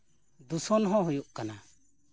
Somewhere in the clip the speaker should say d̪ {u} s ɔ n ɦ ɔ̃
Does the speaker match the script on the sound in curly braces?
yes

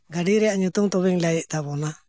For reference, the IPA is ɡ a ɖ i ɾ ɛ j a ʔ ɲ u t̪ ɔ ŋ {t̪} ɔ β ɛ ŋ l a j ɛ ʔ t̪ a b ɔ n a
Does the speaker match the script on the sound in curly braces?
yes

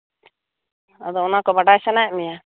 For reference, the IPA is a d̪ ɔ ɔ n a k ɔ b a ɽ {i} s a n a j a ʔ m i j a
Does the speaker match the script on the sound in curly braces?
no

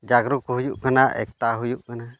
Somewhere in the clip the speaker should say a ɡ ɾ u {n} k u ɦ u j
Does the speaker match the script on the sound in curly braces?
no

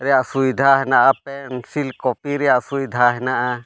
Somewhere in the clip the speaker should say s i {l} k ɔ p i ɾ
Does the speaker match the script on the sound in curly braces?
yes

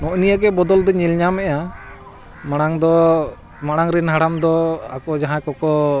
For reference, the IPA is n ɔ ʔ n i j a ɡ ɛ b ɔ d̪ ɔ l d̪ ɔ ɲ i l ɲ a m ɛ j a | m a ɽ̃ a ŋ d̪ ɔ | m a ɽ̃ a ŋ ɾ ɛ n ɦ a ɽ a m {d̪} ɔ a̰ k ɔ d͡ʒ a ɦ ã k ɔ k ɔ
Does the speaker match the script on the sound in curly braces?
yes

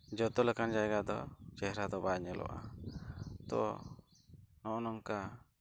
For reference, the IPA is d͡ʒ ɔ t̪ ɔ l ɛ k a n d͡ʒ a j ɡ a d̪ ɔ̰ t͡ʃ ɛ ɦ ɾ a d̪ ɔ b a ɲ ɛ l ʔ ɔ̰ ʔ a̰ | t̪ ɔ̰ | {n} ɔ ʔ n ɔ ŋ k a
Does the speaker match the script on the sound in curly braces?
yes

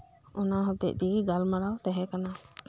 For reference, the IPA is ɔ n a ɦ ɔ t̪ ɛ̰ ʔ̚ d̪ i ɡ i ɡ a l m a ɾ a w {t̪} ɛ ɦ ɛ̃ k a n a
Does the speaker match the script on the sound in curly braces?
yes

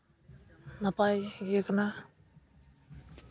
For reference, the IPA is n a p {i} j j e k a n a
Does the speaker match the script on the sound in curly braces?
no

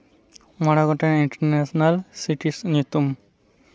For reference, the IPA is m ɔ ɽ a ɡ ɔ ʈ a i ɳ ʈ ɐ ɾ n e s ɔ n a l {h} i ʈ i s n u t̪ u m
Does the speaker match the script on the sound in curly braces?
no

